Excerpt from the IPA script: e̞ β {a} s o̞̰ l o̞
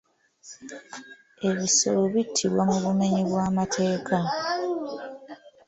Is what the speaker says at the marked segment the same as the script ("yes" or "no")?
no